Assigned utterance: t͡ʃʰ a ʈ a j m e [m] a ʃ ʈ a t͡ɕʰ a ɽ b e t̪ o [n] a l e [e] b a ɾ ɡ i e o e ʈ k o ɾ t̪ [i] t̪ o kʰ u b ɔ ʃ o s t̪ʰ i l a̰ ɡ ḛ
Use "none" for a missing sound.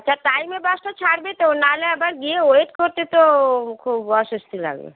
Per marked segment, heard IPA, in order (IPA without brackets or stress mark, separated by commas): b, n, a, e